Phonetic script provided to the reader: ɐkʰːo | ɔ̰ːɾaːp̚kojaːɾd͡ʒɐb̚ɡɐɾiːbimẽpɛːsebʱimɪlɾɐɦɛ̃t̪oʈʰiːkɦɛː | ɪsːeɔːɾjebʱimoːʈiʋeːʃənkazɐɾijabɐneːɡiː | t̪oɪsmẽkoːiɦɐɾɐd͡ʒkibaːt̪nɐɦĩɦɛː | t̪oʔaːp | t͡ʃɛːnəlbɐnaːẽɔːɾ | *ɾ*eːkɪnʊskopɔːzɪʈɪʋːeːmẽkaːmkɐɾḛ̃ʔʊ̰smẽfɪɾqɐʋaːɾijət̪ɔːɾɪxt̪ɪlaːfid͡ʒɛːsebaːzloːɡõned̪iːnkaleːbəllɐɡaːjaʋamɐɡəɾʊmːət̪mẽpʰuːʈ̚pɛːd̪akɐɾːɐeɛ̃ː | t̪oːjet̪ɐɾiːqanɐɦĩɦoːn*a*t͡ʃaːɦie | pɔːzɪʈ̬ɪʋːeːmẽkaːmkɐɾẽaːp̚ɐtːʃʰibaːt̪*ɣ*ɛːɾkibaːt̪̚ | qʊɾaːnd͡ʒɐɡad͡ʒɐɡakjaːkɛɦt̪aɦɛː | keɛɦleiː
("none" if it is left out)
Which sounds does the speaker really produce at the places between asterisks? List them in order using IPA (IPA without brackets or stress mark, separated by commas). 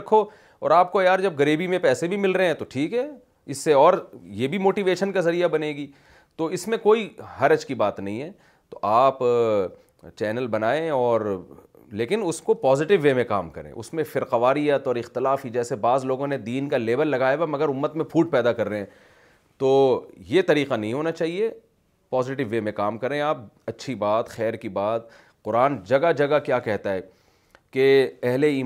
l, a, x